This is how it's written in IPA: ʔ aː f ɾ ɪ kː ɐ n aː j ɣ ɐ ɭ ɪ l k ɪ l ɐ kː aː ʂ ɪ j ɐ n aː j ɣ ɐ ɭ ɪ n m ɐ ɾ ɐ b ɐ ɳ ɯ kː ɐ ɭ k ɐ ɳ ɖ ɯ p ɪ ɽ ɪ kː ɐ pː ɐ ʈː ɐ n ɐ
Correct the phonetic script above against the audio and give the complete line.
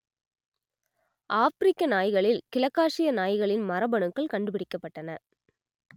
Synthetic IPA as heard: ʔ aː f ɾ ɪ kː ɐ n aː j ɣ ɐ ɭ ɪ l k ɪ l ɐ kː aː ʂ ɪ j ɐ n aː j ɣ ɐ ɭ ɪ n m ɐ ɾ ɐ b ɐ ɳ ɯ kː ɐ ɭ k ɐ ɳ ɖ ɯ p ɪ ɽ ɪ kː ɐ pː ɐ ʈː ɐ n ɐ